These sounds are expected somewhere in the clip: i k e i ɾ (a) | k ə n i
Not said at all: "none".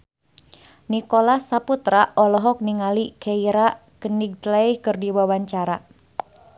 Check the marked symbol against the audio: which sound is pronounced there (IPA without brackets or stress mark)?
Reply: a